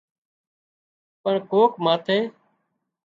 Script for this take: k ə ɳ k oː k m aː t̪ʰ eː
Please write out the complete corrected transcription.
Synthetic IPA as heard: p ə ɳ k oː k m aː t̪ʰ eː